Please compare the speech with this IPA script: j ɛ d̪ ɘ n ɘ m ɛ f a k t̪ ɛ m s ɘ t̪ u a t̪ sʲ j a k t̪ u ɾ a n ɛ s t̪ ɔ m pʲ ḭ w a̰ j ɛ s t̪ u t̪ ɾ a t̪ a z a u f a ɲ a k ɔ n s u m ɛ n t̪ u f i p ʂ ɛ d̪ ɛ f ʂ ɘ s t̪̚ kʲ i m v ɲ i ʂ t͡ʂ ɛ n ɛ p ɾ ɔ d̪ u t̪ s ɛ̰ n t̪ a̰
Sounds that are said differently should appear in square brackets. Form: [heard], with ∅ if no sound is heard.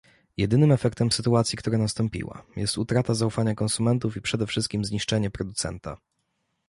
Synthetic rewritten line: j ɛ d̪ ɘ n ɘ m ɛ f [ɛ] k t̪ ɛ m s ɘ t̪ u a t̪ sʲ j [i] k t̪ u ɾ a n [a] s t̪ ɔ m pʲ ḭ w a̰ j ɛ s t̪ u t̪ ɾ a t̪ a z a u f a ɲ a k ɔ n s u m ɛ n t̪ u f i p ʂ ɛ d̪ ɛ f ʂ ɘ s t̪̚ kʲ i m [z] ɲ i ʂ t͡ʂ ɛ [ɲ] ɛ p ɾ ɔ d̪ u t̪ s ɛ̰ n t̪ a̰